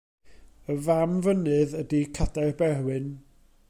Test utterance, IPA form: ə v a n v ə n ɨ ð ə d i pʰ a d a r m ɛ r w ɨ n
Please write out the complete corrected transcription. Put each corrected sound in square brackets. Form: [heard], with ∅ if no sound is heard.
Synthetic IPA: ə v a [m] v ə n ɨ ð ə d i [kʰ] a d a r [b] ɛ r w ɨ n